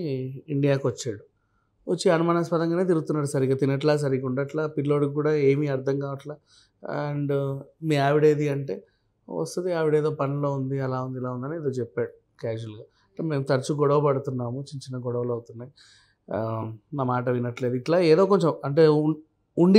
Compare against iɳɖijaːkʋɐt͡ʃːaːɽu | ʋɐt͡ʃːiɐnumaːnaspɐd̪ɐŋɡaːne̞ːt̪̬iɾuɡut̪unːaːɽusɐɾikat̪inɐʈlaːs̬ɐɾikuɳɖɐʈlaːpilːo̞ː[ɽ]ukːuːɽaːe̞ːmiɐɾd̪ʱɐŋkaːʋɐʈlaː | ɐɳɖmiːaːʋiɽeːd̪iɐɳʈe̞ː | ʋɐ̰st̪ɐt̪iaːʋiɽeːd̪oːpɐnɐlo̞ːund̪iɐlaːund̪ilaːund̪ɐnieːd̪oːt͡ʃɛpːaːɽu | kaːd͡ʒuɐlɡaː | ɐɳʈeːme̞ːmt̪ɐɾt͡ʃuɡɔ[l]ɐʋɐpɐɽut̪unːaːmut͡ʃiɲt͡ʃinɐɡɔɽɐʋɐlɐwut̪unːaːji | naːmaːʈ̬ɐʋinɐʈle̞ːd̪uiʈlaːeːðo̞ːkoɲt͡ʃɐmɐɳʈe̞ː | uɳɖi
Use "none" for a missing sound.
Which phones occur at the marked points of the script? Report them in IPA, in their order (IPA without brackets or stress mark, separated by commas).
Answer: ɽ, ɽ